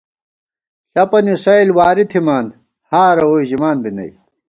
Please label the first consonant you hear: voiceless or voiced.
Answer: voiceless